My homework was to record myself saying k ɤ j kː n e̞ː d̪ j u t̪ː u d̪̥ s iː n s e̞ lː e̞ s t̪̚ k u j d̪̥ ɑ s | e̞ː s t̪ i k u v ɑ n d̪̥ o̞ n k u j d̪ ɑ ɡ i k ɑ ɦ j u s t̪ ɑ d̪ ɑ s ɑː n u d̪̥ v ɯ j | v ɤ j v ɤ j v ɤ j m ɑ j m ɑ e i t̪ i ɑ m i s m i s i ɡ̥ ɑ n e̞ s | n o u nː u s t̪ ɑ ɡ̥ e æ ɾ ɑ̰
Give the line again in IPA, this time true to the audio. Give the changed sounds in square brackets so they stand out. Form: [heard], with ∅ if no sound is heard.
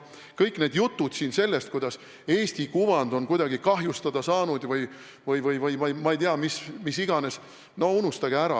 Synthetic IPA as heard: k ɤ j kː n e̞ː d̪ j u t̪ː u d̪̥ s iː n s e̞ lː e̞ s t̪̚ k u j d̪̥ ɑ s | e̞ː s t̪ i k u v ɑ n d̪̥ o̞ n k u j d̪ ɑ ɡ i k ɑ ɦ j u s t̪ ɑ d̪ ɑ s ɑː n u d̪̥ v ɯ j | v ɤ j v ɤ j v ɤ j m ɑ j m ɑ e [j] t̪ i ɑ m i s m i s i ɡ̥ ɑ n e̞ s | n o u [n] u s t̪ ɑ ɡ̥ e æ ɾ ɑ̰